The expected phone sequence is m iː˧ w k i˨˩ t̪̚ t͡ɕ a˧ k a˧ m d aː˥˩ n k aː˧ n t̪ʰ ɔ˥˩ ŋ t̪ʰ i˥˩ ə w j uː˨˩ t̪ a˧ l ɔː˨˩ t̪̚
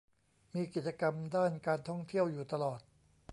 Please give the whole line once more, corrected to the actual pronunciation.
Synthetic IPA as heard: m iː˧ k i˨˩ t̪̚ t͡ɕ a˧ k a˧ m d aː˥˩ n k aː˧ n t̪ʰ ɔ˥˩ ŋ t̪ʰ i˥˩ ə w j uː˨˩ t̪ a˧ l ɔː˨˩ t̪̚